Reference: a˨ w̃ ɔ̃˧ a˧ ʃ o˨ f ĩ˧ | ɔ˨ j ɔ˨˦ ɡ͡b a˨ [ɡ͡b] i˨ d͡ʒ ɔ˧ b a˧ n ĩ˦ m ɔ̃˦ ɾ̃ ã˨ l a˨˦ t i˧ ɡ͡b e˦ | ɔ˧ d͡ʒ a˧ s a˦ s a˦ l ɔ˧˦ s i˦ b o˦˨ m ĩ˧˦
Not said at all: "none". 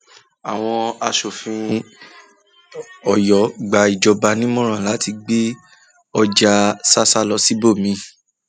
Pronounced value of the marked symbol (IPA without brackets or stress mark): none